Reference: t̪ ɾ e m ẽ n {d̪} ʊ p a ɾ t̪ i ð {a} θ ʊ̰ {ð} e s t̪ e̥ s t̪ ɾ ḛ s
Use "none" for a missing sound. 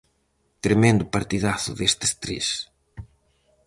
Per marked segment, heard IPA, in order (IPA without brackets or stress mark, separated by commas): d̪, a, ð